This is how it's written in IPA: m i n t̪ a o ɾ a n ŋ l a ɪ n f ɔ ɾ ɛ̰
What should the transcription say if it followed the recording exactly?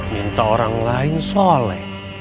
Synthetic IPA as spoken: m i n t̪ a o ɾ a ŋ l a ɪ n s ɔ l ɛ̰